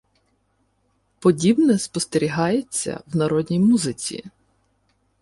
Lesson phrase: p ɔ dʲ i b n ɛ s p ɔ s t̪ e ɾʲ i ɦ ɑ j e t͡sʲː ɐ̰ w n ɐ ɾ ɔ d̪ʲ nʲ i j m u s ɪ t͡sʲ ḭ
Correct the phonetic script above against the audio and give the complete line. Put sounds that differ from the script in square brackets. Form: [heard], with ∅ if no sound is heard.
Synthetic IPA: p ɔ dʲ i b n ɛ s p ɔ s t̪ e ɾʲ i ɦ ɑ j e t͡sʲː ɐ̰ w n ɐ ɾ ɔ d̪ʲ nʲ i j m u [z] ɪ t͡sʲ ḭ